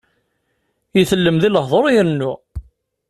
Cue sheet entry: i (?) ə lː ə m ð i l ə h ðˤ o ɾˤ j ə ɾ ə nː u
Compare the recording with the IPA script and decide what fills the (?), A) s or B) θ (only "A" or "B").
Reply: B